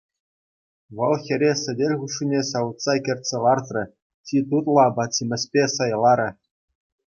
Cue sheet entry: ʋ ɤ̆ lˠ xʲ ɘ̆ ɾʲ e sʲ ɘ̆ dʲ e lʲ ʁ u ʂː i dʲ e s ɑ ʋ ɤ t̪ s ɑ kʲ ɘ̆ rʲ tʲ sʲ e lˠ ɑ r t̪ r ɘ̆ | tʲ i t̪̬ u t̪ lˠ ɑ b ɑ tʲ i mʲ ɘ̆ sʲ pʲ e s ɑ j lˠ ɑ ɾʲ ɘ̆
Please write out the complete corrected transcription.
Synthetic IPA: ʋ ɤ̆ lˠ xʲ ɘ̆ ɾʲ e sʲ ɘ̆ dʲ e lʲ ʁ u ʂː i nʲ e s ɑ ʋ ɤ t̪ s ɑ kʲ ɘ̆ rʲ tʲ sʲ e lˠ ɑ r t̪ r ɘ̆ | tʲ i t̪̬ u t̪ lˠ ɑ b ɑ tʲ i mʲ ɘ̆ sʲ pʲ e s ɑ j lˠ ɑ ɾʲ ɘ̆